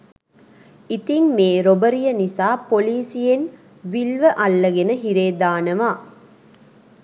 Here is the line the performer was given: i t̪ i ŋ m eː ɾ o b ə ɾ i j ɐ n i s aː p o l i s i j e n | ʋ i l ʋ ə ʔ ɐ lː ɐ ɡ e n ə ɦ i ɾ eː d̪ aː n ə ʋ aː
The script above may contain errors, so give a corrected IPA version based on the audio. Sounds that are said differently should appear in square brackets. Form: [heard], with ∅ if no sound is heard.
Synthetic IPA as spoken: i t̪ i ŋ m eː ɾ o b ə ɾ i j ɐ n i s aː p o l [iː] s i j e n | ʋ i l ʋ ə ʔ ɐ lː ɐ ɡ e n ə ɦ i ɾ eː d̪ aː n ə ʋ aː

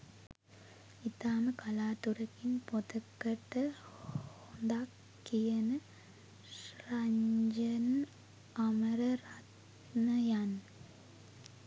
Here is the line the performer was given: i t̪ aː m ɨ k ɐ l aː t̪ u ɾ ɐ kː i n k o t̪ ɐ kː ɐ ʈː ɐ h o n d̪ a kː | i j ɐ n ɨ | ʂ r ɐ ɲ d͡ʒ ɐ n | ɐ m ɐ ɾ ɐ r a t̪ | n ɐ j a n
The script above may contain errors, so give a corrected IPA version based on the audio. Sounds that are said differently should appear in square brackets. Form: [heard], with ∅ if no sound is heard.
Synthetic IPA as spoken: i t̪ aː m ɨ k ɐ l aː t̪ u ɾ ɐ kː i n [p] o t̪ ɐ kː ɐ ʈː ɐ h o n d̪ a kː | i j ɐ n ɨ | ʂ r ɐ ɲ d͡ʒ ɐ n | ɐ m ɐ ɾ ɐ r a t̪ | n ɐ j a n

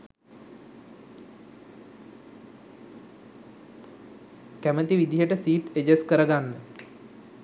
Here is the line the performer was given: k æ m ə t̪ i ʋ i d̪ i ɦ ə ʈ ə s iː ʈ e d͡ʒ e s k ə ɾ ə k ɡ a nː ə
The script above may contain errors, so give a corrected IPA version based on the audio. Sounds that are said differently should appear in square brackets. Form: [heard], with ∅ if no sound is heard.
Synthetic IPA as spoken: k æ m ə t̪ i ʋ i d̪ i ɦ ə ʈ ə s iː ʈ e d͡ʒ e s k ə ɾ ə [∅] ɡ a nː ə

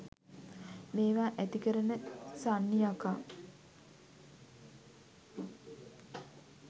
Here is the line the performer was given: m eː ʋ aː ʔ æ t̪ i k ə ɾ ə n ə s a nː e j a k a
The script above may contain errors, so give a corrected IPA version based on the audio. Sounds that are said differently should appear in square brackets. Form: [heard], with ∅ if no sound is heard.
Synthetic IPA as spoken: m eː ʋ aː ʔ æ t̪ i k ə ɾ ə n ə s a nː [i] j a k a

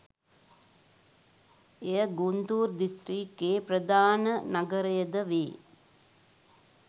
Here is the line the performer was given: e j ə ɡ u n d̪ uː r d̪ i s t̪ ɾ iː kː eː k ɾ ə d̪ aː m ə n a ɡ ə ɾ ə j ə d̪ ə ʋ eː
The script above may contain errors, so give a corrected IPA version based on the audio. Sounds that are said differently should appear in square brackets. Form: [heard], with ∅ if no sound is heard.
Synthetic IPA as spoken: e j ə ɡ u n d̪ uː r d̪ i s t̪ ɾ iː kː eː [p] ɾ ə d̪ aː [n] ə n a ɡ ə ɾ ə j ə d̪ ə ʋ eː

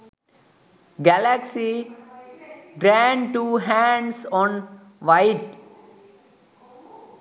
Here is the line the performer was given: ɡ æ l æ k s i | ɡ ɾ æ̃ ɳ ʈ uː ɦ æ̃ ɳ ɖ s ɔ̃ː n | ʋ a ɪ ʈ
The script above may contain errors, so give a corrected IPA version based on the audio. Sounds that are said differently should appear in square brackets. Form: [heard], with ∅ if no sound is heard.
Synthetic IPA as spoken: ɡ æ l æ k s i | ɡ ɾ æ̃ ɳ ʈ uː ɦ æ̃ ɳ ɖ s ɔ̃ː n | ʋ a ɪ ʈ

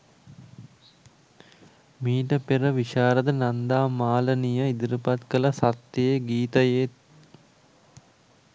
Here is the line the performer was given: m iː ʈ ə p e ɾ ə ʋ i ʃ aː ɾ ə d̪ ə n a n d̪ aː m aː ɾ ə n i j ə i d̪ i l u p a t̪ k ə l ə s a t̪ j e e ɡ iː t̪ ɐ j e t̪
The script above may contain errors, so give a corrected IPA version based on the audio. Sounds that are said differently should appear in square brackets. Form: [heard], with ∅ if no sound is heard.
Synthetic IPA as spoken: m iː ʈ ə p e ɾ ə ʋ i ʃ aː ɾ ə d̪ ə n a n d̪ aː m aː [l] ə n i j ə i d̪ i [ɾ] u p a t̪ k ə l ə s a t̪ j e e ɡ iː t̪ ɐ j e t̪

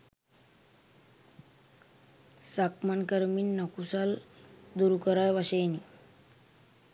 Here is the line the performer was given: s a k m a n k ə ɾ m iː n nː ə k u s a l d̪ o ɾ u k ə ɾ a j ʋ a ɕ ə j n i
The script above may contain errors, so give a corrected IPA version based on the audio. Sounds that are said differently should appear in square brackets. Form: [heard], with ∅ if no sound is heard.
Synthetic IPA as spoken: s a k m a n k ə ɾ m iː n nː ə k u s a l d̪ [u] ɾ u k ə ɾ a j ʋ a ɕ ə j n i

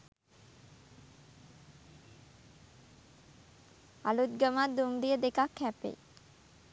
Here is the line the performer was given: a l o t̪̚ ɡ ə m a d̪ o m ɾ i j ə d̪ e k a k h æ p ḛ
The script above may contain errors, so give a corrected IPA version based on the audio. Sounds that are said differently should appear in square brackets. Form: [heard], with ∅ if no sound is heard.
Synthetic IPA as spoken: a l [u] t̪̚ ɡ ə m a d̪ [u] m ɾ i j ə d̪ e k a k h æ p ḛ

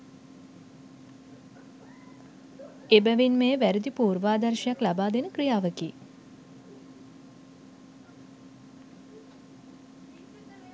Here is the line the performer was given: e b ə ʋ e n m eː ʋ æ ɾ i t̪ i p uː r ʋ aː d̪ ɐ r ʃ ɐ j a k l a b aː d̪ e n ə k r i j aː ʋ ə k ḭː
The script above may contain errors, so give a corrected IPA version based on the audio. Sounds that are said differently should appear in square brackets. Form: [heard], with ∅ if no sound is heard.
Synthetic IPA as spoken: e b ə ʋ [i] n m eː ʋ æ ɾ i [d̪] i p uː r ʋ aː d̪ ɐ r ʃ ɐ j a k l a b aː d̪ e n ə k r i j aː ʋ ə k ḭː

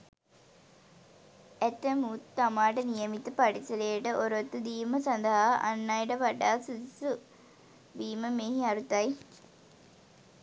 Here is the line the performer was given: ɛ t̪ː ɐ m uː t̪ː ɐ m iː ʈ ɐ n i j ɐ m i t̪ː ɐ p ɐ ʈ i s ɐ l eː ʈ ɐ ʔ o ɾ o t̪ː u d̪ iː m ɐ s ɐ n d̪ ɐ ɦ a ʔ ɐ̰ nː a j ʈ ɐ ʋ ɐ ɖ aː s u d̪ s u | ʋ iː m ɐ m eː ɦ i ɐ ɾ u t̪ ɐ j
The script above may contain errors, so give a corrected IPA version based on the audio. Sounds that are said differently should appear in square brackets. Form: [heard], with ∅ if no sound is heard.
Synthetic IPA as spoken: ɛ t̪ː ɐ m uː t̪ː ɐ m [aː] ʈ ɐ n i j ɐ m i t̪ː ɐ p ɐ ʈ i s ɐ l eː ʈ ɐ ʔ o ɾ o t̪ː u d̪ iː m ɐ s ɐ n d̪ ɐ ɦ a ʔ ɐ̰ nː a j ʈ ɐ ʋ ɐ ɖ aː s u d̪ s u | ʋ iː m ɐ m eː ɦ i ɐ ɾ u t̪ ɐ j

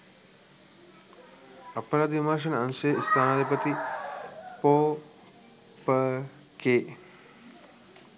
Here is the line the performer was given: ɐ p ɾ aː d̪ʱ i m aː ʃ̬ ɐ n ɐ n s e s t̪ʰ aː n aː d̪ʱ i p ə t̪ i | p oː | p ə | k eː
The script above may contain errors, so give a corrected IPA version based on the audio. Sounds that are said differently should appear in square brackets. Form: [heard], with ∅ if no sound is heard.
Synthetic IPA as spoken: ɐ p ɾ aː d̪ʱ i m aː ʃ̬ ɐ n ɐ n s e s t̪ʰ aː n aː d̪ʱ i p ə t̪ i | p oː | p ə | k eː

